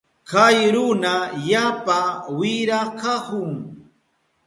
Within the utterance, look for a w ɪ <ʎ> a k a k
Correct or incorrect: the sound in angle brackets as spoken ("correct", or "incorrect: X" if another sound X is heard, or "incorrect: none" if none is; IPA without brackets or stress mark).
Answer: incorrect: ɾ